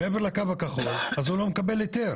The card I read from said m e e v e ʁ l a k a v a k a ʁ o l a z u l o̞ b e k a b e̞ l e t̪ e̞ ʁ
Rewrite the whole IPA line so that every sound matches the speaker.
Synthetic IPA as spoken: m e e v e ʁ l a k a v a k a χ o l a z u l o̞ m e k a b e̞ l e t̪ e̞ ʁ